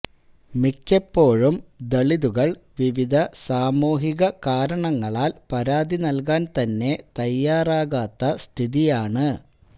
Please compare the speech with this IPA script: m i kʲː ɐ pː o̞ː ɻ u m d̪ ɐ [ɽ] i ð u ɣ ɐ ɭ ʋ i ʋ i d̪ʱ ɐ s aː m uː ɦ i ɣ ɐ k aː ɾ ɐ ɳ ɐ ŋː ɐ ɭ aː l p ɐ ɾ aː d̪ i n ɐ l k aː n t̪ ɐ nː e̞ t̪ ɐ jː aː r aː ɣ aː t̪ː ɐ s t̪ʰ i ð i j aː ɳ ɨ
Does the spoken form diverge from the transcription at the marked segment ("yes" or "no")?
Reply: yes